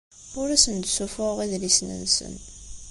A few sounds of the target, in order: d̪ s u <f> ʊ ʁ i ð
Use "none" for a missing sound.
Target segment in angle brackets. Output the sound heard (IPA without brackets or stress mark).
f